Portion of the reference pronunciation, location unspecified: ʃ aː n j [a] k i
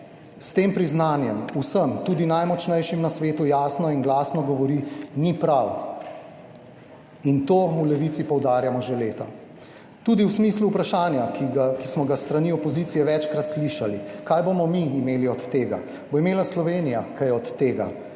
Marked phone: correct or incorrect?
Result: correct